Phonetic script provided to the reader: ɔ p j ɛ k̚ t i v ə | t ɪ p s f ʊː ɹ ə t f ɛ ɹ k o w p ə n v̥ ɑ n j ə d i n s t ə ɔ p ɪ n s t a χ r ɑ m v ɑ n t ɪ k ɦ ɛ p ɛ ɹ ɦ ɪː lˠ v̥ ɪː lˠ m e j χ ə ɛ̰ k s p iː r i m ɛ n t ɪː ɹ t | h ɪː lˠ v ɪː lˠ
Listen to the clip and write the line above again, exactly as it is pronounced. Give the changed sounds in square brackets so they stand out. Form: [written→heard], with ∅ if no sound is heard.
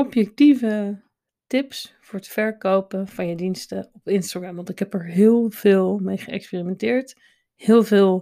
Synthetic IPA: ɔ p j ɛ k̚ t i v ə | t ɪ p s f ʊː ɹ ə t f ɛ ɹ k o w p ə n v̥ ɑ n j ə d i n s t ə ɔ p ɪ n s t a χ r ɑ m [v→ʋ] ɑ n t ɪ k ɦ ɛ p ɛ ɹ ɦ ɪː lˠ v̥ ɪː lˠ m e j χ ə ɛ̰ k s p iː r i m ɛ n t ɪː ɹ t | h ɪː lˠ v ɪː lˠ